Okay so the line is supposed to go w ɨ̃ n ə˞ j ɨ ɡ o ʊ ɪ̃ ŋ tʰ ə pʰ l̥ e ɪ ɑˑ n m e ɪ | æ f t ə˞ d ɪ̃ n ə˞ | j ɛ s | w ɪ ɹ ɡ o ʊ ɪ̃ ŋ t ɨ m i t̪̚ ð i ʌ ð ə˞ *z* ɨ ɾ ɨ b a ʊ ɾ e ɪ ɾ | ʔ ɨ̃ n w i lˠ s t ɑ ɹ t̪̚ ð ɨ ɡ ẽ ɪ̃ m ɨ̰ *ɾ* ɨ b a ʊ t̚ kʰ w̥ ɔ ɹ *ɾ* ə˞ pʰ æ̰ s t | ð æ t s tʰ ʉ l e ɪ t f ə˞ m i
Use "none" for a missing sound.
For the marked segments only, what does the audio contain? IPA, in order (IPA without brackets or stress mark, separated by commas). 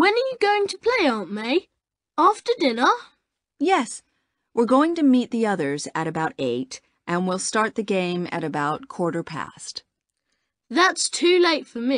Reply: z, ɾ, ɾ